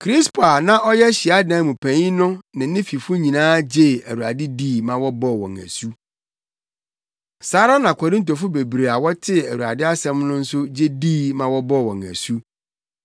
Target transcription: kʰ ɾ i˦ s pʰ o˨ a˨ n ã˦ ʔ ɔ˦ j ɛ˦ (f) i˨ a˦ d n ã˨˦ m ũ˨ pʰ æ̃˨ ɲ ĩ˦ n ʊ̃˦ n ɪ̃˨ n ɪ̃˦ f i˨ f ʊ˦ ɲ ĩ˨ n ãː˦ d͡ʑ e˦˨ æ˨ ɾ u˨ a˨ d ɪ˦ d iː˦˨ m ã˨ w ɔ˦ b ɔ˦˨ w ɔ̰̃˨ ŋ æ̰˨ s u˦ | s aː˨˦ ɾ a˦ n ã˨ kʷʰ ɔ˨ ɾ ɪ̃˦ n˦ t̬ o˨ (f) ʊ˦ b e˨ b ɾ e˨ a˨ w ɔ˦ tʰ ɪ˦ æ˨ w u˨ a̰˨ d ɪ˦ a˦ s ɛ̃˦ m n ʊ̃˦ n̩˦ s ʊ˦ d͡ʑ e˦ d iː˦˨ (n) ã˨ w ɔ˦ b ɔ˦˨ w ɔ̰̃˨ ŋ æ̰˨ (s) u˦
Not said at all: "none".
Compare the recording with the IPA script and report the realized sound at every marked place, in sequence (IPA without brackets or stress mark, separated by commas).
ɕ, f, m, s